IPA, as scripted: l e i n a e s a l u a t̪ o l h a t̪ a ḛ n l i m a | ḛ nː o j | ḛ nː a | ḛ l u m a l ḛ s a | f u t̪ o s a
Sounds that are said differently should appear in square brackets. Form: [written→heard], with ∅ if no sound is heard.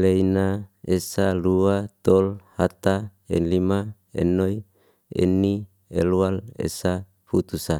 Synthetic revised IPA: l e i n a e s a l u a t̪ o l h a t̪ a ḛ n l i m a | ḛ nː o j | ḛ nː [a→i] | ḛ l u [m→∅] a l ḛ s a | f u t̪ [o→u] s a